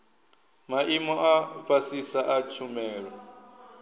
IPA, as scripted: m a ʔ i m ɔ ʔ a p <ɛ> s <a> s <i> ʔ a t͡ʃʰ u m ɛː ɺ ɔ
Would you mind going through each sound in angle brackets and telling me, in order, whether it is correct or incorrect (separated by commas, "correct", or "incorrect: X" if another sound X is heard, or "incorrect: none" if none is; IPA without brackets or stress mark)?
incorrect: a, incorrect: i, incorrect: a